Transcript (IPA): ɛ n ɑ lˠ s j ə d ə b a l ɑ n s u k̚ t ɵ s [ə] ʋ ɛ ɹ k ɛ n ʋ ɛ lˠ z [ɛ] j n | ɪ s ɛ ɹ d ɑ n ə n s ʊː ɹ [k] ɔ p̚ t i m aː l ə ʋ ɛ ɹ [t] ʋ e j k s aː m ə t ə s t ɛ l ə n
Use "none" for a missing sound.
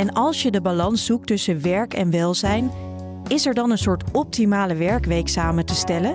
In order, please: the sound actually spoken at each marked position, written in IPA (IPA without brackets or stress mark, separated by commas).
ə, ɛ, t, k